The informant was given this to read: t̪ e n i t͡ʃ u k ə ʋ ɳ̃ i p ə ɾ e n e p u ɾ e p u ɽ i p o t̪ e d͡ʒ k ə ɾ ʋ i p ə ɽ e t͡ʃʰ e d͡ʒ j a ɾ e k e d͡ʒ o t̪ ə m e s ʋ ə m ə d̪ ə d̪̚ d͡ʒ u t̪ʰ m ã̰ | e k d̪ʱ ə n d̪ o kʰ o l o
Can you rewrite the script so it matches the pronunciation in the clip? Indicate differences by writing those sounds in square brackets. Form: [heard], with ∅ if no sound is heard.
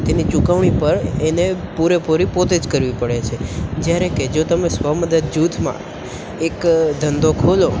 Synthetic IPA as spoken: t̪ e n i t͡ʃ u k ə ʋ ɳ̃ i p ə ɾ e n e p u ɾ e p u [ɾ] i p o t̪ e d͡ʒ k ə ɾ ʋ i p ə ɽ e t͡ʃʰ e d͡ʒ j a ɾ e k e d͡ʒ o t̪ ə m e s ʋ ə m ə d̪ ə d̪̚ d͡ʒ u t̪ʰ m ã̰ | e k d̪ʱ ə n d̪ o kʰ o l o